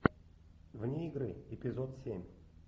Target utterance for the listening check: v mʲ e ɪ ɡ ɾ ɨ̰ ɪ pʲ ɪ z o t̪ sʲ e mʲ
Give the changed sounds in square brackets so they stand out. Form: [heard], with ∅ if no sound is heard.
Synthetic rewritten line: v [nʲ] e ɪ ɡ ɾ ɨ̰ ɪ pʲ ɪ z o t̪ sʲ e mʲ